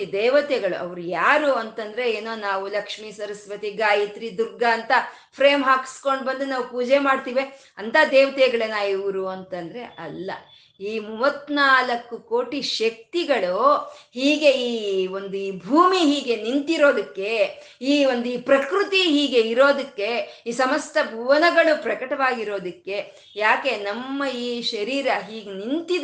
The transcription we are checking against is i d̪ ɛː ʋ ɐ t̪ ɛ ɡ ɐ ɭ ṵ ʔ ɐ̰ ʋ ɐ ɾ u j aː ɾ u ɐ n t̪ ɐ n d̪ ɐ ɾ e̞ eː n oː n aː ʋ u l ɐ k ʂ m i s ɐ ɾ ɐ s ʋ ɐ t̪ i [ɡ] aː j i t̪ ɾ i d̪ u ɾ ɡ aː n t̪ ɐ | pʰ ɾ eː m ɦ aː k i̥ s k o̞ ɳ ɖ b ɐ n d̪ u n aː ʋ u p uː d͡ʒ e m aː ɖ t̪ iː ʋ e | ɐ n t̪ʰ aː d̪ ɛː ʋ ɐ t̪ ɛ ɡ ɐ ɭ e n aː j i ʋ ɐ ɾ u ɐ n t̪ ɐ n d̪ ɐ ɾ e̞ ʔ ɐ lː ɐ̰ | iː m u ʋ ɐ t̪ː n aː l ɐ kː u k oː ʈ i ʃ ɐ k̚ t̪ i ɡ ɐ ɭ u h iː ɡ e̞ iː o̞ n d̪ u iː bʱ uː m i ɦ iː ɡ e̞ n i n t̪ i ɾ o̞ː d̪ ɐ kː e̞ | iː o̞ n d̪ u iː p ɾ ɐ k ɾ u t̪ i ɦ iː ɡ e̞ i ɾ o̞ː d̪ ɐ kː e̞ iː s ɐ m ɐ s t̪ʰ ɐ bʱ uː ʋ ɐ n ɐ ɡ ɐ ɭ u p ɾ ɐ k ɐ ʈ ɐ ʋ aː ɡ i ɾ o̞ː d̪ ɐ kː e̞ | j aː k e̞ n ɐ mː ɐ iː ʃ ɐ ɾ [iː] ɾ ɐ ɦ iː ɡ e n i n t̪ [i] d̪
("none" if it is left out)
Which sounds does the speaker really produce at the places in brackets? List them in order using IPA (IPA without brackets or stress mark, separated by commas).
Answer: ɡ, iː, i